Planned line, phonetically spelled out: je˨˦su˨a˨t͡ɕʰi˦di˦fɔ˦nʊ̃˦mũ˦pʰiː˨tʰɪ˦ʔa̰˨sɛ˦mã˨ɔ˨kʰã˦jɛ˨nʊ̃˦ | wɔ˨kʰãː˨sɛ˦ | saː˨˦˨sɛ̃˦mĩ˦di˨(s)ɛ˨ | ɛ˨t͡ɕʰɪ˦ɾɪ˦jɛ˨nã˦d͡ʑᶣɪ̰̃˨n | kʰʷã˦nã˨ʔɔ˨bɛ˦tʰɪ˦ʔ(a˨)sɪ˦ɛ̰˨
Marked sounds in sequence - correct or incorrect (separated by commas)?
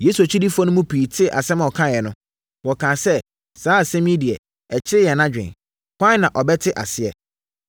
incorrect, correct